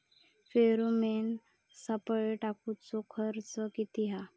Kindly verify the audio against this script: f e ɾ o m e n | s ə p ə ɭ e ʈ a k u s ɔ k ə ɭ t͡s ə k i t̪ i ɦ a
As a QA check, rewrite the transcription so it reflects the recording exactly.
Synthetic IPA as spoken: f e ɾ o m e n | s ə p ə ɭ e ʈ a k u t͡s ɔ kʰ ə ɾ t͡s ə k i t̪ i ɦ a